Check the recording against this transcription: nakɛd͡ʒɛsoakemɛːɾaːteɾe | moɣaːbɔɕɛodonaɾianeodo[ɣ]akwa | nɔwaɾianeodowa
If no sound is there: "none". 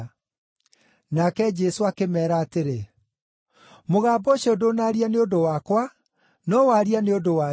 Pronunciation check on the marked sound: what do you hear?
w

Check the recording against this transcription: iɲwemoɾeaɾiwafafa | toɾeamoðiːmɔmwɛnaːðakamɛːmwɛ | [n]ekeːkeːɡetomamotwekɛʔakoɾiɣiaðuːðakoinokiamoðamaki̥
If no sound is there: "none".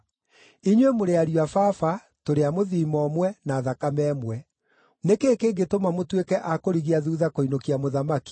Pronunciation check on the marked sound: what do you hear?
n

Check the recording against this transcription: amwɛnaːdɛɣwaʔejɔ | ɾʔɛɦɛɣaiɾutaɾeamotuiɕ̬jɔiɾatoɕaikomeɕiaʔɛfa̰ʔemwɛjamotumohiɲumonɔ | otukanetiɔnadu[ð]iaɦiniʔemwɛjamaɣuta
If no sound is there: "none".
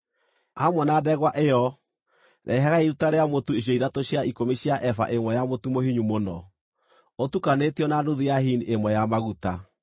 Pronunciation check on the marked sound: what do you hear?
ð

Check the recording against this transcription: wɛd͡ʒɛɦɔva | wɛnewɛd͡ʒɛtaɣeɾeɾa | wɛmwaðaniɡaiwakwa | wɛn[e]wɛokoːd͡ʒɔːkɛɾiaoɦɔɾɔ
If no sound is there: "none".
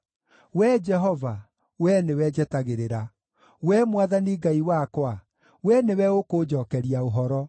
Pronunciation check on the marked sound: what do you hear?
e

